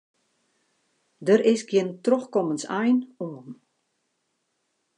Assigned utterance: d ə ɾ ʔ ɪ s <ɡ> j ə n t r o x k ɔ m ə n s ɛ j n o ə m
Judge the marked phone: correct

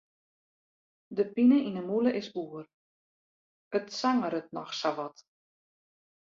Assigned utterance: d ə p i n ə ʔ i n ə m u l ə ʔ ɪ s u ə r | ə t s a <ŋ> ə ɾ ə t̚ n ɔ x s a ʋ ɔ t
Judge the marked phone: correct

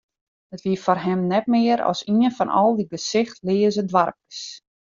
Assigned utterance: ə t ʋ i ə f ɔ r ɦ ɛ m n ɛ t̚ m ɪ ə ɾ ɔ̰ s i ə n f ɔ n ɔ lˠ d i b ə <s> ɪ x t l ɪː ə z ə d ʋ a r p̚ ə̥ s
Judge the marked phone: correct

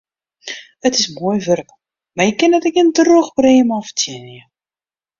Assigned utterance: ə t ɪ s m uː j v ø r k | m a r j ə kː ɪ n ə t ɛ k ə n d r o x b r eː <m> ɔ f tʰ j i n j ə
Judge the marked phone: correct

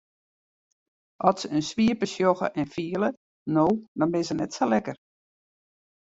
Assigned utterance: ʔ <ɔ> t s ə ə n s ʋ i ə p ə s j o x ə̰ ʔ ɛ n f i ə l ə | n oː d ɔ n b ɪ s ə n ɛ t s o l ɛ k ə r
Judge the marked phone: correct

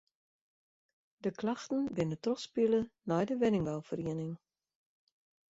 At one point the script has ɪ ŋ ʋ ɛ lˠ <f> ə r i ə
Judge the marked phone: correct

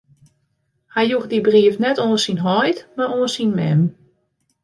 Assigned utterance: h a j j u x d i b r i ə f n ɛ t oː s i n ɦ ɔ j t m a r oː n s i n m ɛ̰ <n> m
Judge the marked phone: incorrect: none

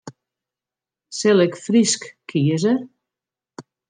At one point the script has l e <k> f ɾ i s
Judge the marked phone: correct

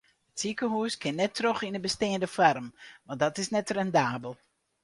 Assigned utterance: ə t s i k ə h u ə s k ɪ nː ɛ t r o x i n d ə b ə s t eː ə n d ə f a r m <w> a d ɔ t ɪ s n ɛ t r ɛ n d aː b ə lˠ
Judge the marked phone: incorrect: ʋ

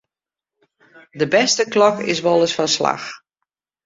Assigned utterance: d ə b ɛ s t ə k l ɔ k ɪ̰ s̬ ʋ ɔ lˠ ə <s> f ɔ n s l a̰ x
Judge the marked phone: correct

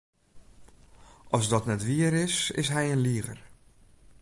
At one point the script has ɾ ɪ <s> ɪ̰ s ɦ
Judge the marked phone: correct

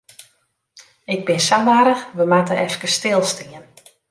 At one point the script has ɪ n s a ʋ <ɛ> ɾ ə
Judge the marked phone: incorrect: a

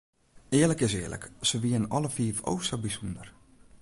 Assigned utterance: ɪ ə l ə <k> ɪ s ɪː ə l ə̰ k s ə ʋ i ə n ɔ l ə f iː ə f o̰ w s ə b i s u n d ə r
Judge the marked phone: correct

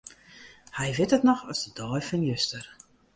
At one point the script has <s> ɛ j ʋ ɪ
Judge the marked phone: incorrect: h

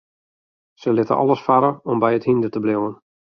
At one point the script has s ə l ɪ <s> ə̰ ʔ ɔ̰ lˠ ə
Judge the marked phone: incorrect: t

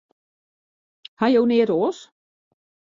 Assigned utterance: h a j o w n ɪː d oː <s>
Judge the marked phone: correct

